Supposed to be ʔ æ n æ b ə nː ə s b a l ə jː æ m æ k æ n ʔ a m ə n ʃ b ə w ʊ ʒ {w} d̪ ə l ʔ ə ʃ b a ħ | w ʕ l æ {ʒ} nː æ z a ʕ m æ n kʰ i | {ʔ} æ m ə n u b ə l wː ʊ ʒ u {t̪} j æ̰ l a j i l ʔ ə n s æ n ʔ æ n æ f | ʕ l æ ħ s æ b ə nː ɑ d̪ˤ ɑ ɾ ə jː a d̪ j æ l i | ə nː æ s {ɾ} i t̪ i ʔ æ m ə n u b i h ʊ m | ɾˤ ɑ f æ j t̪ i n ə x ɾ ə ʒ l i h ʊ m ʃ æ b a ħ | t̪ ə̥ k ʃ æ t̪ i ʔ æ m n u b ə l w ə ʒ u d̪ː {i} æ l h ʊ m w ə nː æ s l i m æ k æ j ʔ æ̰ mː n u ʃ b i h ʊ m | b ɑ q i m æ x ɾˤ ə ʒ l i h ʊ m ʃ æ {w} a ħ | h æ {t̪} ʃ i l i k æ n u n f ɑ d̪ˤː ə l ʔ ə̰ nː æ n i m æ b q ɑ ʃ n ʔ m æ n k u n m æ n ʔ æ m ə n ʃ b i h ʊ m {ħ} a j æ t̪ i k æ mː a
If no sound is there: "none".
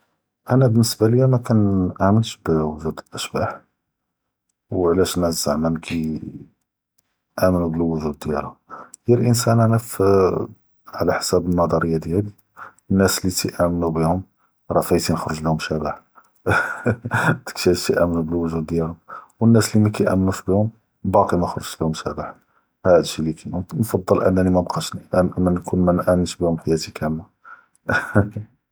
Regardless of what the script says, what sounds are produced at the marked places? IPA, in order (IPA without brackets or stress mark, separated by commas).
u, ʃ, ʔ, d̪, l, j, b, d̪, ħ